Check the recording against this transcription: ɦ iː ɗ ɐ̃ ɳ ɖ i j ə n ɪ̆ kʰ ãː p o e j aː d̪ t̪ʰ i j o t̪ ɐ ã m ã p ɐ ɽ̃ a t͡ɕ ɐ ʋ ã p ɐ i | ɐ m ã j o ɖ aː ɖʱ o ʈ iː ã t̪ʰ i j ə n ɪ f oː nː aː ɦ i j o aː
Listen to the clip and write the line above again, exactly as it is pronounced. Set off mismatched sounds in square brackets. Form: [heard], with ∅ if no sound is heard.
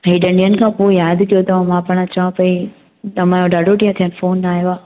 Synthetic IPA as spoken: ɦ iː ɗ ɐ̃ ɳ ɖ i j ə n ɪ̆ kʰ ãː p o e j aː d̪ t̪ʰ i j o t̪ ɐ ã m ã p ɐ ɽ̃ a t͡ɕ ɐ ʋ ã p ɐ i | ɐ m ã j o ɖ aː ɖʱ o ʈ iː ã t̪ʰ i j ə n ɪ f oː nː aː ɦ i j o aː